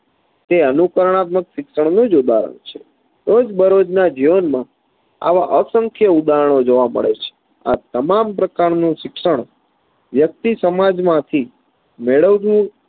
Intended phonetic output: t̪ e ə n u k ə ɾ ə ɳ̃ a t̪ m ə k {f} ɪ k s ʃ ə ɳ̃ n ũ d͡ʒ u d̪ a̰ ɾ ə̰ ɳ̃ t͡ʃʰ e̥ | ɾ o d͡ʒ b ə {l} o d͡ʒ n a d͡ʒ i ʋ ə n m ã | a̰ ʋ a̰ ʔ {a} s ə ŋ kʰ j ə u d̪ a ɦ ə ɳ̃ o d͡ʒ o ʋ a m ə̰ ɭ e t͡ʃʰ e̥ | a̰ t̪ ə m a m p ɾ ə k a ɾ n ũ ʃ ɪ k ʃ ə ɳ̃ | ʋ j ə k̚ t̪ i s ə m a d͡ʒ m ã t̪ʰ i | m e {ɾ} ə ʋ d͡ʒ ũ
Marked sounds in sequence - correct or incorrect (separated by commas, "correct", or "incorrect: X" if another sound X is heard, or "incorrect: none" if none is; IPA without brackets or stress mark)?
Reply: incorrect: ʃ, incorrect: ɾ, incorrect: ə, incorrect: ɭ